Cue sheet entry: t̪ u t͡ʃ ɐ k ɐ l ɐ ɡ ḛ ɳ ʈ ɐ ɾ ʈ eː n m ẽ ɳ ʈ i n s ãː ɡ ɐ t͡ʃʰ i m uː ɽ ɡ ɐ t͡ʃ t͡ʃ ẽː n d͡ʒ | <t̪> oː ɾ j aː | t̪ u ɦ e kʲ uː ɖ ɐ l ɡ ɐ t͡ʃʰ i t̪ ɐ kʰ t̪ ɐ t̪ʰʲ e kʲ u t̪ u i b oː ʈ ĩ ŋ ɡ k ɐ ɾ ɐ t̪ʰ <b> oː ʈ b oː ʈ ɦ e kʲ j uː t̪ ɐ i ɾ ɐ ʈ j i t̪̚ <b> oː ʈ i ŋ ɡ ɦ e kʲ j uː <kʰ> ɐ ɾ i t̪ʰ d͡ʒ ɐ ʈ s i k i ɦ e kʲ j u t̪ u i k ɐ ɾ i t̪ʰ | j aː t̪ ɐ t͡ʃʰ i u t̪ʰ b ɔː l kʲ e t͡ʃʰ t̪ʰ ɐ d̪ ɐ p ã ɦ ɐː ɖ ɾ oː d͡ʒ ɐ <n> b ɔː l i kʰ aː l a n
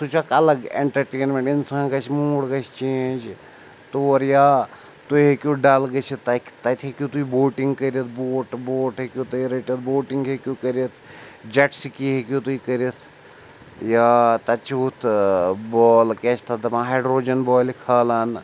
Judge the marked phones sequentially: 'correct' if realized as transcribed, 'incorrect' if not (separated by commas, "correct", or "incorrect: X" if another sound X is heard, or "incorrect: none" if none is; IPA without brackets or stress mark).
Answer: correct, correct, correct, incorrect: k, correct